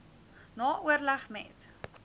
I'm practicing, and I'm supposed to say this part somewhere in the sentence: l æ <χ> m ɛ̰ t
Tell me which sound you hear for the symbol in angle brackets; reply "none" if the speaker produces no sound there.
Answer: χ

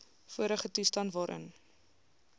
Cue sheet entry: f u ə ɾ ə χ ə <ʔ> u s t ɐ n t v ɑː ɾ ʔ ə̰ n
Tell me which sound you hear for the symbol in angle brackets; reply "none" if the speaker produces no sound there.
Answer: t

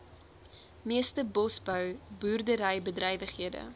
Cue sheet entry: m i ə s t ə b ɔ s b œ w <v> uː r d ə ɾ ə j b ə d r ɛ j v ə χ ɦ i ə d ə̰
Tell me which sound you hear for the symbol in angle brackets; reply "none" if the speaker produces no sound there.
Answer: b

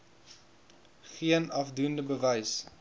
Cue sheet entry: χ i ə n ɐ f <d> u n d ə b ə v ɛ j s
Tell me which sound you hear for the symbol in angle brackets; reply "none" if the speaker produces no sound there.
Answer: d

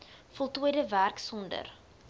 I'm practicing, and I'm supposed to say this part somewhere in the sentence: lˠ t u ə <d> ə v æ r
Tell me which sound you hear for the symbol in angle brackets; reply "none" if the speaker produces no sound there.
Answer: d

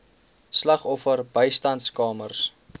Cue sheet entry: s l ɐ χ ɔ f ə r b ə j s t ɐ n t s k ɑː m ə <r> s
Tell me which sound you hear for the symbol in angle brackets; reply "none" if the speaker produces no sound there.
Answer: r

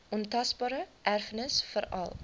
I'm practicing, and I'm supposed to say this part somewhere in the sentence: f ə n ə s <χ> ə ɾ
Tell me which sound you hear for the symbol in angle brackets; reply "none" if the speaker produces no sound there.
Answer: f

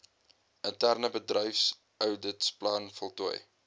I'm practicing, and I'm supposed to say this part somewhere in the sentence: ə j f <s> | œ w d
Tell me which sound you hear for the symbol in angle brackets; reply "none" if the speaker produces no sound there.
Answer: s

